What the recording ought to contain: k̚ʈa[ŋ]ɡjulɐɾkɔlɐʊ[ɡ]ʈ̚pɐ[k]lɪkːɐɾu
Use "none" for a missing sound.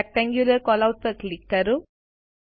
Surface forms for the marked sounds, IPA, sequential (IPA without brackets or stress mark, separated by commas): ŋ, none, k